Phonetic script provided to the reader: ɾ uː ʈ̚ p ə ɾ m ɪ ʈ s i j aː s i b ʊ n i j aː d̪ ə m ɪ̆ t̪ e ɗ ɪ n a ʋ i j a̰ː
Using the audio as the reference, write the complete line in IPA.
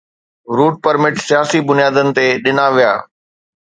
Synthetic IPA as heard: ɾ uː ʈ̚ p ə ɾ m ɪ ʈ s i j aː s i b ʊ n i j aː d̪ ə n ɪ̆ t̪ e ɗ ɪ n a ʋ i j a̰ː